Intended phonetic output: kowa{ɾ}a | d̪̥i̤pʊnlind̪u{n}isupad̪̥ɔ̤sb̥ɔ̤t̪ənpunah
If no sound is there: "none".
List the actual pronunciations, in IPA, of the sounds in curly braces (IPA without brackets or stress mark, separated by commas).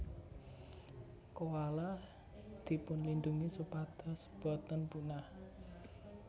l, ŋ